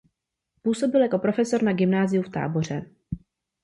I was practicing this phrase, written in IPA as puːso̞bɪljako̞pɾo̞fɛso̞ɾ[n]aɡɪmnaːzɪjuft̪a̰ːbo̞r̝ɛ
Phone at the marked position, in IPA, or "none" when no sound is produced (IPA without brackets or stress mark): n